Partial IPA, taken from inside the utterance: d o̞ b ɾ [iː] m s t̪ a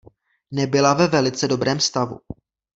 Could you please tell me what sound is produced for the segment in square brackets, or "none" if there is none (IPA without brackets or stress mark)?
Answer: ɛː